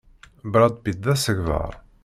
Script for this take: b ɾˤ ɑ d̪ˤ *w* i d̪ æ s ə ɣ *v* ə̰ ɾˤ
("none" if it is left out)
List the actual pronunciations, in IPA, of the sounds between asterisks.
b, v

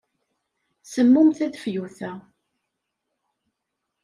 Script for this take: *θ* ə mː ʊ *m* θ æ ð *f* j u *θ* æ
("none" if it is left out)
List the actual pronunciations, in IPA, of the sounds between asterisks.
s, m, f, θ

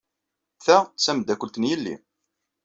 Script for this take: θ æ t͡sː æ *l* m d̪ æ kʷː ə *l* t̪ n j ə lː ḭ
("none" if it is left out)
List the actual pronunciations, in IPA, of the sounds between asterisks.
none, l

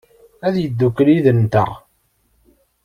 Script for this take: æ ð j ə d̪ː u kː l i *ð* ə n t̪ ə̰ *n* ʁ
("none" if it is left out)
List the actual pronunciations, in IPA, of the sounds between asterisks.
ð, none

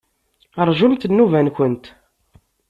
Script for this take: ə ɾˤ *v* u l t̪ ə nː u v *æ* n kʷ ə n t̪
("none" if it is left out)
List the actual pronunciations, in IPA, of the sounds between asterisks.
ʒ, æ

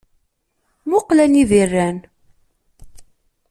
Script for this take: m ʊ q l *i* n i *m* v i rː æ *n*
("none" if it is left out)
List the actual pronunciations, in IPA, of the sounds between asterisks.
æ, none, n

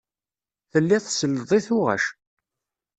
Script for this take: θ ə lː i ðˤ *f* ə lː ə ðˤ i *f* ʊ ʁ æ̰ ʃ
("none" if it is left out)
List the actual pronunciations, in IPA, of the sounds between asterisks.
s, θ

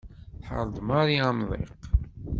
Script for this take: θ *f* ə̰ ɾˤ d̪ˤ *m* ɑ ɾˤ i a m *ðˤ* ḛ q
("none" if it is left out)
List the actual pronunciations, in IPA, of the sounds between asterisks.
ħ, m, ðˤ

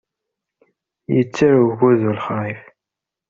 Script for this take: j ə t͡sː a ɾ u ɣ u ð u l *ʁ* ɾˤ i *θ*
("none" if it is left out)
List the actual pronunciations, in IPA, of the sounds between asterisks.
χ, f

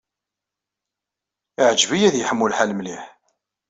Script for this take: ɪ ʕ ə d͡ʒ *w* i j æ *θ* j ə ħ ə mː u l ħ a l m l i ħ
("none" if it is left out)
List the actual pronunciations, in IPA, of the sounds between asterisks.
v, ð

